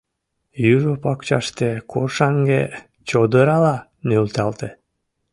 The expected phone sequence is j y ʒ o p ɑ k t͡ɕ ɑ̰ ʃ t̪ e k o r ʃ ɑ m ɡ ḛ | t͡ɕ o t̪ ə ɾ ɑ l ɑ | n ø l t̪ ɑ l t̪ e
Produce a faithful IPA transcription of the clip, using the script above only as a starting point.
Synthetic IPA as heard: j y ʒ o p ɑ k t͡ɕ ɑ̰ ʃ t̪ e k o r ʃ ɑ ŋ ɡ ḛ | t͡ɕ o d̪ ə ɾ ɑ l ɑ | n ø l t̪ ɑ l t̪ e